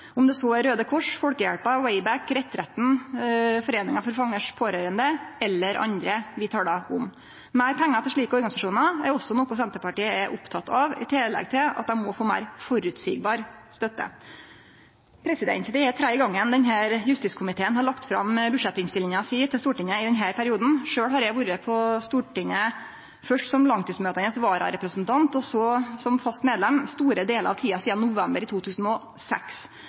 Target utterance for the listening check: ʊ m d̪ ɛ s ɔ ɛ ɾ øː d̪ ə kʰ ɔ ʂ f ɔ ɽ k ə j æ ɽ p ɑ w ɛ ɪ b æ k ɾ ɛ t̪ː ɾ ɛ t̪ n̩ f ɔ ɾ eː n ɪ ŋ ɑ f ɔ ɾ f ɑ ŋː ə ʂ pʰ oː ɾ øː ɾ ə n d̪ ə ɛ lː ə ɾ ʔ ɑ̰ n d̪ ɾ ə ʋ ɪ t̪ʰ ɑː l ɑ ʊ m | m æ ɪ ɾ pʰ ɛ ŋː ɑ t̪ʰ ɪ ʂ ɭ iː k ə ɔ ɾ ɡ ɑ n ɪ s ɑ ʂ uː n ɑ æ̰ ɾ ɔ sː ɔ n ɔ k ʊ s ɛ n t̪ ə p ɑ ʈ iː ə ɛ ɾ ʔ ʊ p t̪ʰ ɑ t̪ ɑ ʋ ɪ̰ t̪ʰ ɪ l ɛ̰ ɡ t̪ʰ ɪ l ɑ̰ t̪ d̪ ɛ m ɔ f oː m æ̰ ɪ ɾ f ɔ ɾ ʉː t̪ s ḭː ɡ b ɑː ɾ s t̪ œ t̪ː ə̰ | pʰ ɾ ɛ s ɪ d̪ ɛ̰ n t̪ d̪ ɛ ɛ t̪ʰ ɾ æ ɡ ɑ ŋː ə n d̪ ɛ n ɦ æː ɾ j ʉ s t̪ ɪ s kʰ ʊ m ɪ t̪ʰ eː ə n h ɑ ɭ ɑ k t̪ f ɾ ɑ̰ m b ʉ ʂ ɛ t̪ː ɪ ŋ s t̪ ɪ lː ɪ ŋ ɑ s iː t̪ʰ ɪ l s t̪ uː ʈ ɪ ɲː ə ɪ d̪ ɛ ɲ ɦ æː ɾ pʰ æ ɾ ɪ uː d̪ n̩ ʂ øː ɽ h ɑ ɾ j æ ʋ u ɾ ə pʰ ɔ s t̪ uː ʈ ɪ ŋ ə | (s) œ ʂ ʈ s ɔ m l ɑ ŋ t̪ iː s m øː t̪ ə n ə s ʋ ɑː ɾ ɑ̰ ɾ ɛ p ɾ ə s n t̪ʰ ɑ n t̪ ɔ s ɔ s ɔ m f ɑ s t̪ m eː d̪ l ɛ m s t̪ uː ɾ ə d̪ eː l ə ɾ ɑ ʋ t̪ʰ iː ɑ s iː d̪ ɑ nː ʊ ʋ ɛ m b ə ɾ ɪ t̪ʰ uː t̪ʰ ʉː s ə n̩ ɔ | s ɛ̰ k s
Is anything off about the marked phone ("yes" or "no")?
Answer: yes